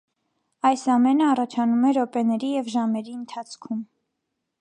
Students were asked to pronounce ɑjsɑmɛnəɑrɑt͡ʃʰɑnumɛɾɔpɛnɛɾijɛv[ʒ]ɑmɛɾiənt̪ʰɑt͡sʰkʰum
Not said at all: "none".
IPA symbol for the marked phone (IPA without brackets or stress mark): ʒ